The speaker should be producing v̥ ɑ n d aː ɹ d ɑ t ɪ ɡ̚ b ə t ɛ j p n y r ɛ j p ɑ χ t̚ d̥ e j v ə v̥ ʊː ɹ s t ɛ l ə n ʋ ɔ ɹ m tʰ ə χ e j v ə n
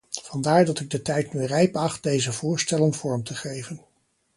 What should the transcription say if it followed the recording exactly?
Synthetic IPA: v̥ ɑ n d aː ɹ d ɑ t ɪ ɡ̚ d ə t ɛ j t n y r ɛ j p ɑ χ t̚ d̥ e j z ə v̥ ʊː ɹ s t ɛ l ə n v ɔ ɹ m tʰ ə χ e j v ə n

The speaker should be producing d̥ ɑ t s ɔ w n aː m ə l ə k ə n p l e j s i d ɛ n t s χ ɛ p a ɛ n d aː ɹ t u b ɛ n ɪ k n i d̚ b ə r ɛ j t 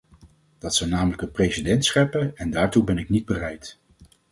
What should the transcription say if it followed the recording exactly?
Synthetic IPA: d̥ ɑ t s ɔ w n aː m ə l ə k ə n p r e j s i d ɛ n t s χ ɛ p ə ɛ n d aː ɹ t u b ɛ n ɪ k n i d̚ b ə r ɛ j t

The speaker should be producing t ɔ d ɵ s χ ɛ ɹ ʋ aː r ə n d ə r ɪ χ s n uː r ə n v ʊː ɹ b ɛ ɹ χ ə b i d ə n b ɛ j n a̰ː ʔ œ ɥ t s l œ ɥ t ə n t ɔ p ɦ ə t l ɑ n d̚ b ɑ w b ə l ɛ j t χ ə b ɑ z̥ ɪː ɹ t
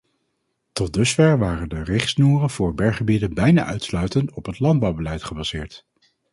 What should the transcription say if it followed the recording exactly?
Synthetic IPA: t ɔ d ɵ s f ɛ ɹ ʋ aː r ə n d ə r ɪ χ s n uː r ə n v ʊː ɹ b ɛ ɹ χ ə b i d ə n b ɛ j n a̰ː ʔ œ ɥ t s l œ ɥ t ə n t ɔ p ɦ ə t l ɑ n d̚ b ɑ w b ə l ɛ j t χ ə b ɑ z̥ ɪː ɹ t

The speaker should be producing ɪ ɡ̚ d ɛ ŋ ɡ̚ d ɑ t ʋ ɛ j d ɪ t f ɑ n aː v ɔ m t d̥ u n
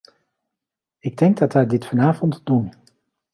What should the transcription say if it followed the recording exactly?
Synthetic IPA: ɪ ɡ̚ d ɛ ŋ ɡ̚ d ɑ t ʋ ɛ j d ɪ t f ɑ n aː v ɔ n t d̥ u n

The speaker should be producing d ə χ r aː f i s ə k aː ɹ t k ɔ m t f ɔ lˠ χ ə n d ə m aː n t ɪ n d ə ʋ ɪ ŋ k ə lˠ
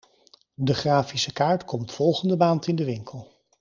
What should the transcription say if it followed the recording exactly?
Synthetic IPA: d ə χ r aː f i s ə k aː ɹ t k ɔ m t f ɔ lˠ χ ə n d ə m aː n t ɪ n d ə ʋ ɪ ŋ k ə lˠ

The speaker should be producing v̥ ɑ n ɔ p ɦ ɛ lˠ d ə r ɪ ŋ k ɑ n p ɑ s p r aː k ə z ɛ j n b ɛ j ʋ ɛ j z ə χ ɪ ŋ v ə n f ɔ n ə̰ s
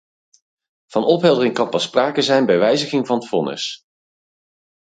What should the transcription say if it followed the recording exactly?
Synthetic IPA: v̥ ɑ n ɔ p ɦ ɛ lˠ d ə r ɪ ŋ k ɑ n p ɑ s p r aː k ə z ɛ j n b ɛ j ʋ ɛ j z ə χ ɪ ŋ v ɑ n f ɔ n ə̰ s

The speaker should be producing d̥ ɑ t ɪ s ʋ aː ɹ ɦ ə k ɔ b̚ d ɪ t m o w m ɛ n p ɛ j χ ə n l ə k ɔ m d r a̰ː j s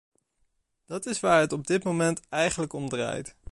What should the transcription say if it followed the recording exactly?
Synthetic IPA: d̥ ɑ t ɪ s ʋ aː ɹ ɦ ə t ɔ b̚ d ɪ t m o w m ɛ n t ɛ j χ ə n l ə k ɔ m d r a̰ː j t

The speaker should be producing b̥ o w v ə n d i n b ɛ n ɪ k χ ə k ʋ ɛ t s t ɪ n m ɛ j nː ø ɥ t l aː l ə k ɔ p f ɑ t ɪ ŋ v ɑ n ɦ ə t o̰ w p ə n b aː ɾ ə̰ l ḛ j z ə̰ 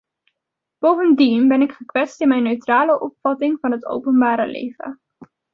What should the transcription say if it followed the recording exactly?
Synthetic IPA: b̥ o w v ə n d i n b ɛ n ɪ k χ ə k ʋ ɛ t s t ɪ n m ɛ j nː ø ɥ t r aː l ə ʔ ɔ p f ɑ t ɪ ŋ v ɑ n ɦ ə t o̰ w p ə n b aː ɾ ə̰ l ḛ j v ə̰

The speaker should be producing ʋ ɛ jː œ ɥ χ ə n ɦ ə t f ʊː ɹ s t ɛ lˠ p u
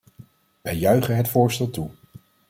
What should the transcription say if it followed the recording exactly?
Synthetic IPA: ʋ ɛ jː œ ɥ χ ə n ɦ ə t f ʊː ɹ s t ɛ lˠ t u

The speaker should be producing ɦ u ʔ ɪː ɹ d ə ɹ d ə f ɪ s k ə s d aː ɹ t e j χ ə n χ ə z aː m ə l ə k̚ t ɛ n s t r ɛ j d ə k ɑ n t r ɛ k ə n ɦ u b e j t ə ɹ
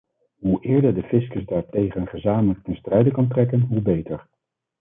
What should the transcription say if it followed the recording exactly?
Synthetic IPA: ɦ u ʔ ɪː ɹ d ə ɹ d ə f ɪ s k ə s d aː ɹ t e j χ ə n χ ə z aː m ə l ə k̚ t ɛ n s t r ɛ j d ə k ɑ n t r ɛ k ə n ɦ u b e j t ə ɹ

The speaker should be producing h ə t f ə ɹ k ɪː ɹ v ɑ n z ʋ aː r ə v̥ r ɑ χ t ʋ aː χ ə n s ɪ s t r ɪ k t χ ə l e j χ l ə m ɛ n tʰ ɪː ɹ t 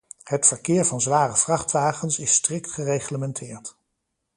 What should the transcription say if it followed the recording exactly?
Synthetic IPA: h ə t f ə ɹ k ɪː ɹ v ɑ n z ʋ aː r ə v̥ r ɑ χ t ʋ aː χ ə n s ɪ s t r ɪ k t χ ə r e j χ l ə m ɛ n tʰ ɪː ɹ t

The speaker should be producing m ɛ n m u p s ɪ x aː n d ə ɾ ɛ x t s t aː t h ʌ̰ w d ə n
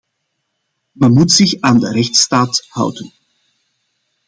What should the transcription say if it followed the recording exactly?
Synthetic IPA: m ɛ n m u t s ɪ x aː n d ə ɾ ɛ x t s t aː t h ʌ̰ w d ə n

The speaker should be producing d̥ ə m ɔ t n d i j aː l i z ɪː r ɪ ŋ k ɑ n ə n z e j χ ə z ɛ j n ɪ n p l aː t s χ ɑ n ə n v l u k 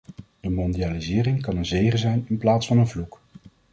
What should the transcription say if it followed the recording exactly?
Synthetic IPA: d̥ ə m ɔ n d i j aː l i z ɪː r ɪ ŋ k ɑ n ə n z e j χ ə z ɛ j n ɪ n p l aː t s f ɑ n ə n v l u k

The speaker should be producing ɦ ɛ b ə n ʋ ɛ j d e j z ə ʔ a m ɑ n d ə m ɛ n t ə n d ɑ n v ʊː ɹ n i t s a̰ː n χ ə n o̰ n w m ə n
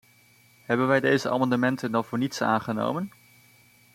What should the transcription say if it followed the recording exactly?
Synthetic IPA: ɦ ɛ b ə n ʋ ɛ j d e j z ə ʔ a m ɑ n d ə m ɛ n t ə n d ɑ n v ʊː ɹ n i t s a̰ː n χ ə n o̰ w m ə n

